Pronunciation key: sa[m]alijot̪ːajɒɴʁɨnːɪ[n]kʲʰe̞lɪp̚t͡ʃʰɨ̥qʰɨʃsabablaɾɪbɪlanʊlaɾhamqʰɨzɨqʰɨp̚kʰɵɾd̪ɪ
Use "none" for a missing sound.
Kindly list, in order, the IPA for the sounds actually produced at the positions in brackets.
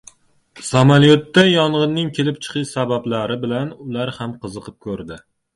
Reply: m, ŋ

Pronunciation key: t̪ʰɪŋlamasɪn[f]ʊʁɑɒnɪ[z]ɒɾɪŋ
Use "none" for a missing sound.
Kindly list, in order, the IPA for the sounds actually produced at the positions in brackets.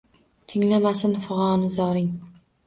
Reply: f, z

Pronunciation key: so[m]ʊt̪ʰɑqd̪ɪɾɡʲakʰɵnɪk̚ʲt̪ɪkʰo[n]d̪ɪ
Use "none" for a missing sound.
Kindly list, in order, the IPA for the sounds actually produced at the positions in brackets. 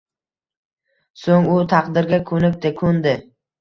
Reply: ŋ, n

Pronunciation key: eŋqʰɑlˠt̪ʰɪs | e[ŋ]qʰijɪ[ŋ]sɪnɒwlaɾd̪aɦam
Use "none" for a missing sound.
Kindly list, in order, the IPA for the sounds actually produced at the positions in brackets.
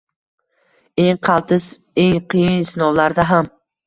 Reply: ŋ, n

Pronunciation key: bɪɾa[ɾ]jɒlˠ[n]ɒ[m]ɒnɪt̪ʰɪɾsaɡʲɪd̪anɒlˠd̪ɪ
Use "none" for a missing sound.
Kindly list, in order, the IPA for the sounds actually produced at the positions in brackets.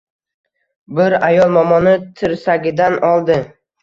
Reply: none, m, m

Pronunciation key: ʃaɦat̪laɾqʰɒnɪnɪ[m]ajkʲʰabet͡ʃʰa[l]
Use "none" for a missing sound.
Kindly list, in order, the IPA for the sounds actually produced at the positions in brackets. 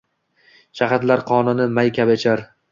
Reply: m, ɾ

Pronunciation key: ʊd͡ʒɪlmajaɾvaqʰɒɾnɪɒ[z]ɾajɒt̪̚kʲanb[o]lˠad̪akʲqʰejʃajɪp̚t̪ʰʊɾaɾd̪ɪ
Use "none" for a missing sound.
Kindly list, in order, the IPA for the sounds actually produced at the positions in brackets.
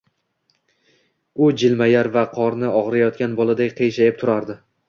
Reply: ʁ, ɒ

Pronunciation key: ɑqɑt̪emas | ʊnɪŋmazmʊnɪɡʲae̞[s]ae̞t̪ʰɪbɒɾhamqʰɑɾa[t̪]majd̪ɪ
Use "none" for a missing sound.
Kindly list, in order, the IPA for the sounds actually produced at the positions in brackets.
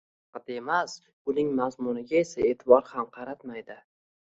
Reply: s, t̪

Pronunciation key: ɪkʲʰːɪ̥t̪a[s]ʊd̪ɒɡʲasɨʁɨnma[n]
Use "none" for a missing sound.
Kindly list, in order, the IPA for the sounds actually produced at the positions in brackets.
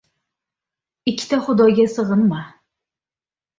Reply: χ, none

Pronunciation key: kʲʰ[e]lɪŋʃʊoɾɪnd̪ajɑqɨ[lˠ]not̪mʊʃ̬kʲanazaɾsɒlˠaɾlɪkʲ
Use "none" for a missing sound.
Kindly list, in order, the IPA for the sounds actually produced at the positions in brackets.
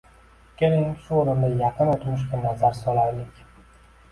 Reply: e, none

